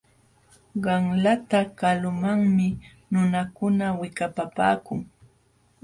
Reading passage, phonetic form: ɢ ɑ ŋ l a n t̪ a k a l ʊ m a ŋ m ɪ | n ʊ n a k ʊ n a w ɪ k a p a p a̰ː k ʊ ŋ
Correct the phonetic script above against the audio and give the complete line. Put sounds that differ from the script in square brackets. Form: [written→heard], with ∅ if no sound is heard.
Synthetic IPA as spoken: ɢ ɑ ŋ l a [n→∅] t̪ a k a l ʊ m a ŋ m ɪ | n ʊ n a k ʊ n a w ɪ k a p a p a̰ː k ʊ ŋ